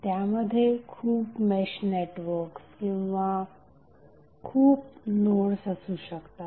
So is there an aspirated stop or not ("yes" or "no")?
yes